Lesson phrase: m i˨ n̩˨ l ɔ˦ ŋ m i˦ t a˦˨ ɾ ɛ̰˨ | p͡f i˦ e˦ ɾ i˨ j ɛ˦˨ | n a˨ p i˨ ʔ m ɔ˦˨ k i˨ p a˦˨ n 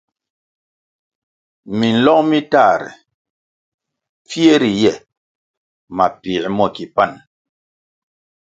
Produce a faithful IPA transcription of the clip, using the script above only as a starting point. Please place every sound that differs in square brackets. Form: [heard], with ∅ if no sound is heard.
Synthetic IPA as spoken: m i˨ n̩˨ l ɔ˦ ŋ m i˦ t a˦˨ ɾ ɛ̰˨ | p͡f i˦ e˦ ɾ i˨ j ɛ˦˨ | [m] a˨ p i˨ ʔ m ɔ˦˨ k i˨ p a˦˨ n